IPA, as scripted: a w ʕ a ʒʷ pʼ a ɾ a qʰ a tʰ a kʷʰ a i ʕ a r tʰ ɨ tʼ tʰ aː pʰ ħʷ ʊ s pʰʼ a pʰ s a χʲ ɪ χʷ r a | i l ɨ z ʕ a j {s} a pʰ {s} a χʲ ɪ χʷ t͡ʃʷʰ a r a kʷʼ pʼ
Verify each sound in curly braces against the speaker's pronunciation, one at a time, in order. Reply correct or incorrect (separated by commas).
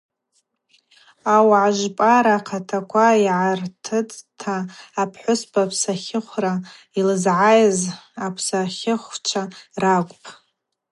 incorrect, correct